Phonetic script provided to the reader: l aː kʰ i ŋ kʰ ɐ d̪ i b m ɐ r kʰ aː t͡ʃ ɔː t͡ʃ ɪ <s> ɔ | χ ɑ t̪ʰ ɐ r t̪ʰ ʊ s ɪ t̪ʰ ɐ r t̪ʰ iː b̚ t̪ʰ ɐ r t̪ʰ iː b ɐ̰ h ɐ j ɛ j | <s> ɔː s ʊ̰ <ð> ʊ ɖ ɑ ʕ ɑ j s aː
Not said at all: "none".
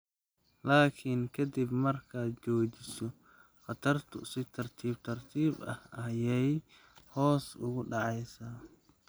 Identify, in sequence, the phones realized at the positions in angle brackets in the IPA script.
s, h, ɣ

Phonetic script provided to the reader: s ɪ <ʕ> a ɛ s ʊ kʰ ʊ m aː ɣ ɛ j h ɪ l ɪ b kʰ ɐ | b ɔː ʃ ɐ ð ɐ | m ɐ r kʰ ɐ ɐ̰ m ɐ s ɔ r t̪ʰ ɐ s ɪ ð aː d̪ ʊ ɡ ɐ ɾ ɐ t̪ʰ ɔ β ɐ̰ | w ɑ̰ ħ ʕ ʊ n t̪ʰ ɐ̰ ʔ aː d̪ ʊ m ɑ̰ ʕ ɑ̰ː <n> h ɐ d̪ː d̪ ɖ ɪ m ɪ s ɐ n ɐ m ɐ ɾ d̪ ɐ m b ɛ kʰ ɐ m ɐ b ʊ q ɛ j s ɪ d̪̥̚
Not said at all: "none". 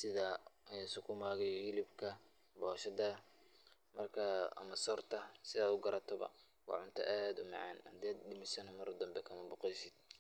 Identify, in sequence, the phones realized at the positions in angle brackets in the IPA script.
ð, n

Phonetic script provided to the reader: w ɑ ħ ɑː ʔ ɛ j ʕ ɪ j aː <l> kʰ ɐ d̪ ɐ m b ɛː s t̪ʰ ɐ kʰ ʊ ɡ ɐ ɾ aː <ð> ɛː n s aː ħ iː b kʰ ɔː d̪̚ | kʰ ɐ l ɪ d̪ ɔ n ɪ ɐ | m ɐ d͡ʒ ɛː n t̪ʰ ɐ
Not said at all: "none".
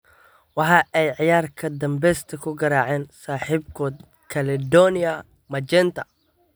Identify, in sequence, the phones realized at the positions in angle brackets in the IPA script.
r, ʕ

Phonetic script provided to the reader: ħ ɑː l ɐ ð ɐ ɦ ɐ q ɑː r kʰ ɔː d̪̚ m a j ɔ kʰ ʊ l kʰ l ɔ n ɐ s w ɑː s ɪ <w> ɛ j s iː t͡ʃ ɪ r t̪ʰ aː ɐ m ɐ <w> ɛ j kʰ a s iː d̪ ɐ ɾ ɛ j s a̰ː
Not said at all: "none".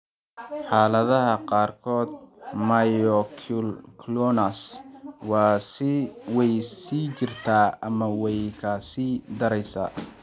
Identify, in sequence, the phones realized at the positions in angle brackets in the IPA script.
w, w

